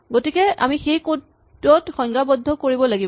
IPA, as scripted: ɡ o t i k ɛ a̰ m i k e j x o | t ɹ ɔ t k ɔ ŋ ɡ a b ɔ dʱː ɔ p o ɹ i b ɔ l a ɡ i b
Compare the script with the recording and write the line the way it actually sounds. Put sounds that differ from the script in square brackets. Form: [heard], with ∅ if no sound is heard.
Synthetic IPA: ɡ o t i k ɛ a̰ m i [x] e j [k] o | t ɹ ɔ t [x] ɔ ŋ ɡ a b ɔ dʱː ɔ [k] o ɹ i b ɔ l a ɡ i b

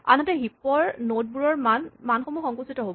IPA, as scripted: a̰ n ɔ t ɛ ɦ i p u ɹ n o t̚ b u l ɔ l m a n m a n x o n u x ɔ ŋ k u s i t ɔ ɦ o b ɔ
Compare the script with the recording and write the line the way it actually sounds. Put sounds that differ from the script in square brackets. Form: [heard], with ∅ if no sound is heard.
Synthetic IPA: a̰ n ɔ t ɛ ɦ i p [ɔ] ɹ n o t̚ b u [ɹ] ɔ [ɹ] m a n m a n x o [m] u x ɔ ŋ k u s i t ɔ ɦ o b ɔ

